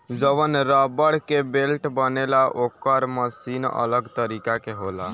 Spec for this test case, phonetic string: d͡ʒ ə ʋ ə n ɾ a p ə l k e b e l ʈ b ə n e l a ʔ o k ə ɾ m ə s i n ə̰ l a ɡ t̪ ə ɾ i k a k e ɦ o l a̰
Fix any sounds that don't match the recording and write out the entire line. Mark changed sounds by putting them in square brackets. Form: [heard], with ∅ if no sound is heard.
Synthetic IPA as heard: d͡ʒ ə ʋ ə n ɾ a [b] ə [ɽ] k e b e l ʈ b ə n e l a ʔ o k ə ɾ m ə s i n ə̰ l [ə] ɡ t̪ ə ɾ i k a k e ɦ o l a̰